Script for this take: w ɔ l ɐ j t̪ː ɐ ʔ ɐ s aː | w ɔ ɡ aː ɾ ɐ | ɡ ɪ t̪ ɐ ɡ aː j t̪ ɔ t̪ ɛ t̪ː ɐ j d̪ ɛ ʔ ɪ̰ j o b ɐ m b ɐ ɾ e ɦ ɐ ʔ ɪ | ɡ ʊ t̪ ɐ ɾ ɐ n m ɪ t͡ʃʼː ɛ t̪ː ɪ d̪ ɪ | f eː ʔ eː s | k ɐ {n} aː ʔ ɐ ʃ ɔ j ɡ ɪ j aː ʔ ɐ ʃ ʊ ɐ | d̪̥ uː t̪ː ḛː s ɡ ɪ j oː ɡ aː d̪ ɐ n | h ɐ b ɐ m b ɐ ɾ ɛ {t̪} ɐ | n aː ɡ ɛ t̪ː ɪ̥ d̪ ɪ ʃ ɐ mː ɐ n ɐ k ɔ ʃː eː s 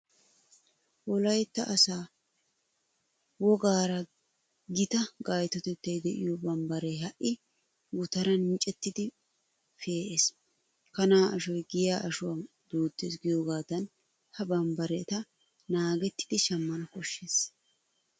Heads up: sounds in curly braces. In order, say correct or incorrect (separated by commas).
correct, correct